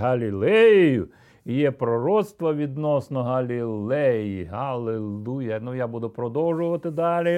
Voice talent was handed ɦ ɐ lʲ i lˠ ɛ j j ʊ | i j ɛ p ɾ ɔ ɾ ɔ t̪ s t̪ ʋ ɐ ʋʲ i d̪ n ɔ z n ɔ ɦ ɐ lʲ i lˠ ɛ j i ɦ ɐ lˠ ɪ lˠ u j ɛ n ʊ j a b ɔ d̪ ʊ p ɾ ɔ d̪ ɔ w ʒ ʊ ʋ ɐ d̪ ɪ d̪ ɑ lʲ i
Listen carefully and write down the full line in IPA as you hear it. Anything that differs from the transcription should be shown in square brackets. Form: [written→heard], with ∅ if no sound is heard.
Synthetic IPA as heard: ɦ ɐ lʲ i lˠ ɛ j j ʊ | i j ɛ p ɾ ɔ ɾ ɔ t̪ s t̪ ʋ ɐ ʋʲ i d̪ n ɔ [z→s] n ɔ ɦ ɐ lʲ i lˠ ɛ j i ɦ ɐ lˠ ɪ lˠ u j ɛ n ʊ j a b [ɔ→u] d̪ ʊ p ɾ ɔ d̪ ɔ w ʒ ʊ ʋ ɐ [d̪→t̪] ɪ d̪ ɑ lʲ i